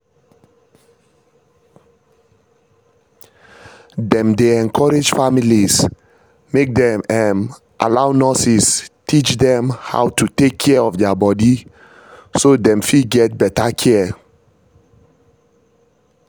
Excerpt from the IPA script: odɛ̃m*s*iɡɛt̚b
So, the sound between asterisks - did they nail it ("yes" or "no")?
no